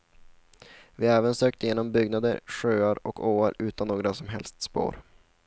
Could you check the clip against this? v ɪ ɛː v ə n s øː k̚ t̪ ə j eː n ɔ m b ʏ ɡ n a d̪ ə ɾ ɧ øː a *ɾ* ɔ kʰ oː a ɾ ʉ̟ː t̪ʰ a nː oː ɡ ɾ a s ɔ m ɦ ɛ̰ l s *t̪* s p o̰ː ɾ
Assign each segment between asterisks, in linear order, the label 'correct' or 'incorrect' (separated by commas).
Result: correct, correct